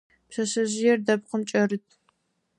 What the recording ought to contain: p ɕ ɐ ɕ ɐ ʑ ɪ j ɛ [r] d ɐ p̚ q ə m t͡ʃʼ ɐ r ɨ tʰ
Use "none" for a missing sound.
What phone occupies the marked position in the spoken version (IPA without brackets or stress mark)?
r